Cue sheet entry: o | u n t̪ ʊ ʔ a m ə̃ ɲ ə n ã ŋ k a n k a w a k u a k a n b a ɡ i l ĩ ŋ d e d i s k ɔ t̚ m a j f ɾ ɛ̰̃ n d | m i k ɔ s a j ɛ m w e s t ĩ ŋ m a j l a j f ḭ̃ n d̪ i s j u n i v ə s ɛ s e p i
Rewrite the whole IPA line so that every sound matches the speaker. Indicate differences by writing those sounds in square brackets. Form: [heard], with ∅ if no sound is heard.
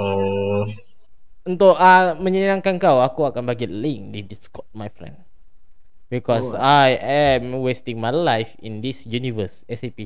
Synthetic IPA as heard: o | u n t̪ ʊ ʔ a m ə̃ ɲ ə n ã ŋ k a n k a w a k u a k a n b a ɡ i l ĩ ŋ d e d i s k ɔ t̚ m a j f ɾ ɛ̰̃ n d | [b] i k ɔ s a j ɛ m w e s t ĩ ŋ m a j l a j f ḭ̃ n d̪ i s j u n i v ə s ɛ s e p i